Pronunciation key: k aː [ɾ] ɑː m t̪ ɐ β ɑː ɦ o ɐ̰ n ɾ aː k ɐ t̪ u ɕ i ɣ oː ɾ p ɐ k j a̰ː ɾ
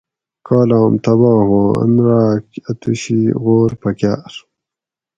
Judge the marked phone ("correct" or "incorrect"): incorrect